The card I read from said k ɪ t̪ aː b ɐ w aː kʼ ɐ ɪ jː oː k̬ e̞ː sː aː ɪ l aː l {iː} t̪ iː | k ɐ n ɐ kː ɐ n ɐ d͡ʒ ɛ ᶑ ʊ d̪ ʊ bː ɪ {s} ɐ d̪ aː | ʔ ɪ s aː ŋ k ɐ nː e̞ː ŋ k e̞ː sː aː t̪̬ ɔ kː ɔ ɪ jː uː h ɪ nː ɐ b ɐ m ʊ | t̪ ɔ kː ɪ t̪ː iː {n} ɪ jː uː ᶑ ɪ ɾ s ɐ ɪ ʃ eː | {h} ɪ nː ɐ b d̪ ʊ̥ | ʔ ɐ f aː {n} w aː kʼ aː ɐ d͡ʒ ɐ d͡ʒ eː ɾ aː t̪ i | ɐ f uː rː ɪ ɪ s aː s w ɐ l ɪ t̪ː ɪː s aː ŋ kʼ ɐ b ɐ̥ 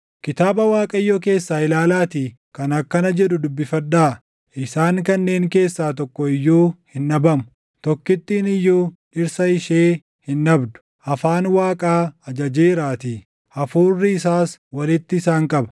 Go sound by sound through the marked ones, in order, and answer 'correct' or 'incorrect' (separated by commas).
incorrect, incorrect, correct, correct, correct